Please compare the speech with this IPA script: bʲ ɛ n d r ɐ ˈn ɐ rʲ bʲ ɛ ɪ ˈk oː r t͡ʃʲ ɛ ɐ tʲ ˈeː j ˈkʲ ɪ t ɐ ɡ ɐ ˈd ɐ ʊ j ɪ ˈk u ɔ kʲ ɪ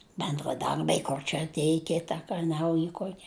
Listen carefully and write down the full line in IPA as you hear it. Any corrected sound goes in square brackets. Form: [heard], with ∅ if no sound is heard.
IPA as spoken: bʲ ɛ n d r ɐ [ˈd] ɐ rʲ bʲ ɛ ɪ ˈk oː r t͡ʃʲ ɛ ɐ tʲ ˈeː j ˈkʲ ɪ t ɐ [k] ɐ [ˈn] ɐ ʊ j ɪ ˈk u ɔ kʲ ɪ